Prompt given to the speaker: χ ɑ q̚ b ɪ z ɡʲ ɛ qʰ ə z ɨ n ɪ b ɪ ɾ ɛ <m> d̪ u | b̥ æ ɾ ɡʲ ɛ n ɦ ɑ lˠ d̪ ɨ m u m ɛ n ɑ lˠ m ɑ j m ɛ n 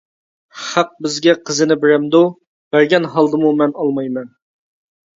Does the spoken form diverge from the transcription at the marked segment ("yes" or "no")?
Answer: no